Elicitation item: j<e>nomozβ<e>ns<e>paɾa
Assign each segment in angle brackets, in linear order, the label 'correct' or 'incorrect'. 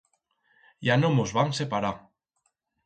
incorrect: a, incorrect: a, correct

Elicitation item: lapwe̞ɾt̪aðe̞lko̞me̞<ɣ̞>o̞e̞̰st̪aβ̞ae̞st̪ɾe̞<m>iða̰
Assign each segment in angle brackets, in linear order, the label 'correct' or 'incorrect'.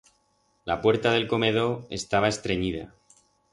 incorrect: ð̞, incorrect: ɲ

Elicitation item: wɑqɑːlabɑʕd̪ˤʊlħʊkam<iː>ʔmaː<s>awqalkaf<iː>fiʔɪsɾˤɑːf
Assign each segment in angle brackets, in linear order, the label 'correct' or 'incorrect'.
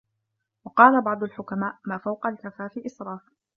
incorrect: aː, incorrect: f, incorrect: aː

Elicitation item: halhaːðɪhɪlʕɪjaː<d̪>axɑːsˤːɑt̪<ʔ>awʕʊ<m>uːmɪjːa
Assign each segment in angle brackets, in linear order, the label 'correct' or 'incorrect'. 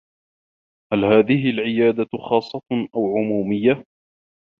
correct, correct, correct

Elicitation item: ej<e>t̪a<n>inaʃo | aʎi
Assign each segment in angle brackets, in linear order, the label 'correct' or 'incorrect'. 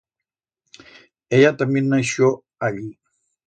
incorrect: a, incorrect: m

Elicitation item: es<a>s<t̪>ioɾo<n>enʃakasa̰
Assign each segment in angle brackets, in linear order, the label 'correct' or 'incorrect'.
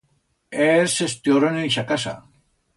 incorrect: e, correct, correct

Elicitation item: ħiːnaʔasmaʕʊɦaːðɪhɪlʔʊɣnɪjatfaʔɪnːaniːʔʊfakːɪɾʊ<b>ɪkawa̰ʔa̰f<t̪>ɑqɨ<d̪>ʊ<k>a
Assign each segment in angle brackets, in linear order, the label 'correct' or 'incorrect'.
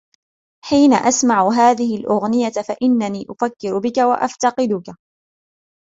correct, correct, correct, correct

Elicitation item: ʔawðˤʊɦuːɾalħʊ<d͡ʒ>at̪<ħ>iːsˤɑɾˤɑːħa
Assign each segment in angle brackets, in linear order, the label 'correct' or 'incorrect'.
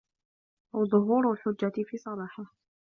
incorrect: d͡ʒː, incorrect: f

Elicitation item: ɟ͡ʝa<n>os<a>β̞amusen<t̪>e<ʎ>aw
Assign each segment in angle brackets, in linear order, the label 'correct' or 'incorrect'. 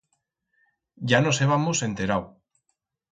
correct, incorrect: e, correct, incorrect: ɾ

